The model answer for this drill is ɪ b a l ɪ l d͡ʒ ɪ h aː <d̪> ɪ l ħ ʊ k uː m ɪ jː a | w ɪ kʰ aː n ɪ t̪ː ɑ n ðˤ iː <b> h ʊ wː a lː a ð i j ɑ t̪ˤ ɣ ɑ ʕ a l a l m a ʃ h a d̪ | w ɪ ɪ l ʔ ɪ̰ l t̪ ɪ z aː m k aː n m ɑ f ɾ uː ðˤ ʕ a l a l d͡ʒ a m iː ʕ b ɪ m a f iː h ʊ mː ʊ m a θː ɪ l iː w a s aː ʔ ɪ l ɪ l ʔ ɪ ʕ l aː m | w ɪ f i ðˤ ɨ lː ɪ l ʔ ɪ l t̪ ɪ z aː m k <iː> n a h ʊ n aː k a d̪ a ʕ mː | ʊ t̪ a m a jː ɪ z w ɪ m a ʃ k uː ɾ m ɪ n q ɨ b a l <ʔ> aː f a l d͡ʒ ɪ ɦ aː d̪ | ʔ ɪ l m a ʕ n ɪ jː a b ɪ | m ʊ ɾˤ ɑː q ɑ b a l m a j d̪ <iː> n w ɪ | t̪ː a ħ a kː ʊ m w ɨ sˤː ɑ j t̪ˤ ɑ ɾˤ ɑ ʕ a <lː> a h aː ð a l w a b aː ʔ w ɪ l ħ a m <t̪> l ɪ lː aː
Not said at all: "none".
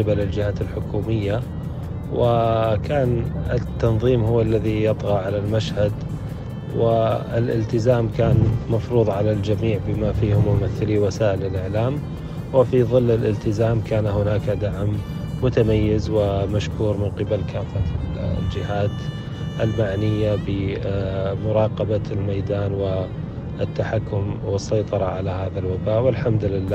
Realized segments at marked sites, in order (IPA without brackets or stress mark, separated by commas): t̪, m, aː, k, aː, l, d̪